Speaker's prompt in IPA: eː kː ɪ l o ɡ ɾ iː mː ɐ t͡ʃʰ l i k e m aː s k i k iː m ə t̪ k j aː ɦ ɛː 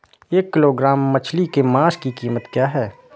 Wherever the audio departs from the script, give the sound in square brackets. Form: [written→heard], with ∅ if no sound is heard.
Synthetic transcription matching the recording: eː kː ɪ l o ɡ ɾ [iː→aː] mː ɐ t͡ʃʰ l i k e m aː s k i k iː m ə t̪ k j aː ɦ ɛː